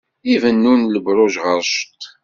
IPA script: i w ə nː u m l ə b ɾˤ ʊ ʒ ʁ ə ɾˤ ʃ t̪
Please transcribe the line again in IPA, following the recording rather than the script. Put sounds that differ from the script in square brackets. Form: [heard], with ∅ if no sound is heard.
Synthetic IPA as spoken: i [v] ə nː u [n] l ə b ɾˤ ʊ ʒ ʁ ə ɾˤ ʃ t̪